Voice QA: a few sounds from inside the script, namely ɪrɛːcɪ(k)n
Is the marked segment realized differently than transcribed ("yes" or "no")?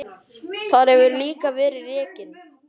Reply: yes